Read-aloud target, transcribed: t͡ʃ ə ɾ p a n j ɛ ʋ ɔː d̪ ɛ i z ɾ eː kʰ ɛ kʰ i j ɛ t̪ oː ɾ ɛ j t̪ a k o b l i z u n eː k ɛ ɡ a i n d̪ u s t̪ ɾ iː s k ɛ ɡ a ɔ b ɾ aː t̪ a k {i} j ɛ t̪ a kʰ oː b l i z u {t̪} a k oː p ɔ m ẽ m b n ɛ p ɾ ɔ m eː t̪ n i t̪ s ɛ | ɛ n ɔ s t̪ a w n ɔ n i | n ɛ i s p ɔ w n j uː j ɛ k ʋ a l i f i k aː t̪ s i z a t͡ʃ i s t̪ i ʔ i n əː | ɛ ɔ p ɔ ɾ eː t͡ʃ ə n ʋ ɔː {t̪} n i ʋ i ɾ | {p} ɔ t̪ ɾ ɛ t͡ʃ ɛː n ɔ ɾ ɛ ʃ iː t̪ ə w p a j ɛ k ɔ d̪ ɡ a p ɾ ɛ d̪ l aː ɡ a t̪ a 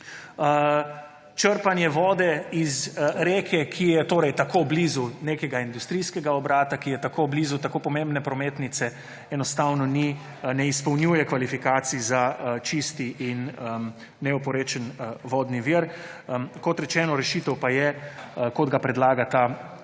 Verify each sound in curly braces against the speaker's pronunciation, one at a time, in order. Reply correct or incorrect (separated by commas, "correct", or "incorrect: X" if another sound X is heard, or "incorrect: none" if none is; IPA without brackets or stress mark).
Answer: correct, correct, incorrect: d̪, incorrect: k